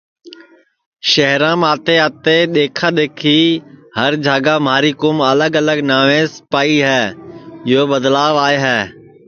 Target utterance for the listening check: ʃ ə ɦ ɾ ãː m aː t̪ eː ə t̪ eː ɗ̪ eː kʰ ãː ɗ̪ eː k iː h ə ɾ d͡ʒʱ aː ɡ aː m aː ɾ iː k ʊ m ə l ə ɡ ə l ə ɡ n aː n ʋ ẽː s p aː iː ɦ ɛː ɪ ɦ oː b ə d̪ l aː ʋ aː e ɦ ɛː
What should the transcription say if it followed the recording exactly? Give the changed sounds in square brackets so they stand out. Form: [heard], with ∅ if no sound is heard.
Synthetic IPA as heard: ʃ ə ɦ ɾ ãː m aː t̪ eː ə t̪ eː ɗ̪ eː kʰ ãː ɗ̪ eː [kʰ] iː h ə ɾ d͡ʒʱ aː ɡ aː m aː ɾ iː k ʊ m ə l ə ɡ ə l ə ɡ n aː [∅] ʋ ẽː s p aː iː ɦ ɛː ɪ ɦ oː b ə d̪ l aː ʋ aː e ɦ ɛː